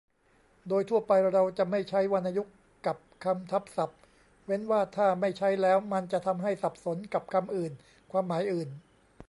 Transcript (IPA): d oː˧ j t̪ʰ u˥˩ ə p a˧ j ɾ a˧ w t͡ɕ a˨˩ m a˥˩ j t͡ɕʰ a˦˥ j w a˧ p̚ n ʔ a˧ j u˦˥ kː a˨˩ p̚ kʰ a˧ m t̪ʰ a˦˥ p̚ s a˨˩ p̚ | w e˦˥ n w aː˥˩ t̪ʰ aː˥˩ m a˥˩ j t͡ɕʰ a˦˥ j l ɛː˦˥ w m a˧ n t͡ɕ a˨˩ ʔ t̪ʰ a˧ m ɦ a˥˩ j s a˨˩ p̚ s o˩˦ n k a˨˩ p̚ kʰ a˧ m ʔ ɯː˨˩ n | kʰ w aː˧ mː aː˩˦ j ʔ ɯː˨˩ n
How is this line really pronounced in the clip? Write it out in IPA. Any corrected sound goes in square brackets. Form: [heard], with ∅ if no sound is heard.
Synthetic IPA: d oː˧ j t̪ʰ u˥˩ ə p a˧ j ɾ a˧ w t͡ɕ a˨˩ m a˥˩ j t͡ɕʰ a˦˥ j w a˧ [∅] n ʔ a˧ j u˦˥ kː a˨˩ p̚ kʰ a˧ m t̪ʰ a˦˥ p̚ s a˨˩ p̚ | w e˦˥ n w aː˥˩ t̪ʰ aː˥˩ m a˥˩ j t͡ɕʰ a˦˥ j l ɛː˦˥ w m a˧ n t͡ɕ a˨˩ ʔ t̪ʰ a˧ m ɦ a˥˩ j s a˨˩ p̚ s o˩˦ n k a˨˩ p̚ kʰ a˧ m ʔ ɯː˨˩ n | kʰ w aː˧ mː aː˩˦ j ʔ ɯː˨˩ n